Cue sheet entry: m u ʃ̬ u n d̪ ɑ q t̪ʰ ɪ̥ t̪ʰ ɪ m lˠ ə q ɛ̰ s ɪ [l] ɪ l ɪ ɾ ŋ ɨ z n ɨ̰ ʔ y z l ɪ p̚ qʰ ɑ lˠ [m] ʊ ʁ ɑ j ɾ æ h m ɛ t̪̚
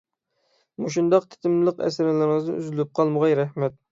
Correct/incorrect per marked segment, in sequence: incorrect: ɾ, correct

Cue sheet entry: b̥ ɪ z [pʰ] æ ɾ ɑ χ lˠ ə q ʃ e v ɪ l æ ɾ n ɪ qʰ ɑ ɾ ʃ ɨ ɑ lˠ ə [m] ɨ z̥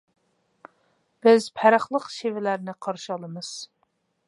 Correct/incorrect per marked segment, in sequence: correct, correct

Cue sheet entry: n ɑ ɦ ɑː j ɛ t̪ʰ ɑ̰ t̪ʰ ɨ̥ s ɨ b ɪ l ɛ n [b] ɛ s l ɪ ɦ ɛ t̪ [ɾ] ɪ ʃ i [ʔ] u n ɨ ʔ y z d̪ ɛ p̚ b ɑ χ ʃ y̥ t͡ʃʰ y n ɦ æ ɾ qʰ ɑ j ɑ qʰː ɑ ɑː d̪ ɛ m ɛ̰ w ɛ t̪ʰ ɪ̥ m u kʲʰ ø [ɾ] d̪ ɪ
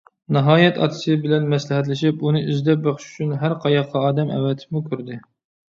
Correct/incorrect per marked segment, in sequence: incorrect: m, incorrect: l, incorrect: p, correct

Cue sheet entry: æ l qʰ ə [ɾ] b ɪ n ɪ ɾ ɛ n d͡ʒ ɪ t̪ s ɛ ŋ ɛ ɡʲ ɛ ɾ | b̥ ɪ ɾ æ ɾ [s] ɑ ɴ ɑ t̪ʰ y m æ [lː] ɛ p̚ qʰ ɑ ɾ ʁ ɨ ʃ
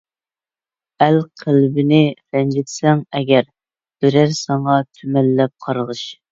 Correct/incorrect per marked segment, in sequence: incorrect: l, correct, correct

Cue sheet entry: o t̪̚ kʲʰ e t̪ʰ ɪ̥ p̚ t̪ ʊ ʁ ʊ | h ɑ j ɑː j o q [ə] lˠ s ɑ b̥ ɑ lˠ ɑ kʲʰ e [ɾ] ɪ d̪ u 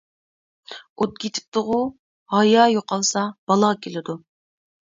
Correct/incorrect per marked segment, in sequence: incorrect: ɑ, incorrect: l

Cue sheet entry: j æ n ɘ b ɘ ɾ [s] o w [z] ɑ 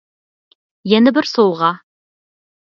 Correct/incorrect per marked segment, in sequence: correct, incorrect: ʁ

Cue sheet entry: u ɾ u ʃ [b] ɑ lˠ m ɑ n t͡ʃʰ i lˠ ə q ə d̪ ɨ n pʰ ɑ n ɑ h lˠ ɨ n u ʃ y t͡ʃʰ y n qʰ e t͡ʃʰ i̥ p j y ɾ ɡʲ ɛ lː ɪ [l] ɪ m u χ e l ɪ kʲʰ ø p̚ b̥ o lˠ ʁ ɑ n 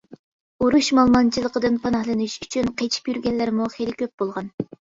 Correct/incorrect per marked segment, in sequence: incorrect: m, incorrect: ɾ

